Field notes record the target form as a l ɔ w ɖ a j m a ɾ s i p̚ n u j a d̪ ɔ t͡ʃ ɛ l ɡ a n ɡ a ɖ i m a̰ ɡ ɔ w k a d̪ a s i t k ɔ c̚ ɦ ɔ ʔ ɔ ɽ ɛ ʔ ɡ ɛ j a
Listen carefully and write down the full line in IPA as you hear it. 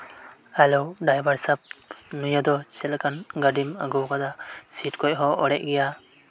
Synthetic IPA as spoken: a l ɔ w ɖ a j b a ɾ s a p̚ n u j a d̪ ɔ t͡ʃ ɛ l k a n ɡ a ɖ i m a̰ ɡ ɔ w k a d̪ a s i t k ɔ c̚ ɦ ɔ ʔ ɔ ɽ ɛ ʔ ɡ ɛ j a